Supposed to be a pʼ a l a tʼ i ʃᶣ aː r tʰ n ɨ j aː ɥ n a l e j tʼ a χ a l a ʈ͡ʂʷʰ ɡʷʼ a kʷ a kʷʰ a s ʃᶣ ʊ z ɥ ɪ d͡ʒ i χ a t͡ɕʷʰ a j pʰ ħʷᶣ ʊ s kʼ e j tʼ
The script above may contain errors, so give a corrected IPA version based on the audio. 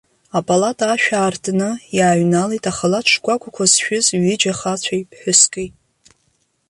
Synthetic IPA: a pʼ a l a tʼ a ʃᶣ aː r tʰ n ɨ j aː ɥ n a l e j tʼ a χ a l a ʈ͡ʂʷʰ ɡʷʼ a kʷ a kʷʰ a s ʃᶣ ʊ z ɥ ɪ d͡ʒ a χ a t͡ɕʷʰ a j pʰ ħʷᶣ ʊ s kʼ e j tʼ